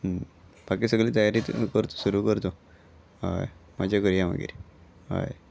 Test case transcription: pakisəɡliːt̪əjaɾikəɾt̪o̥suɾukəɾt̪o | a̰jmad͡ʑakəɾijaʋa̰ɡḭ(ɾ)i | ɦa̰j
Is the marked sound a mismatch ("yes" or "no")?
no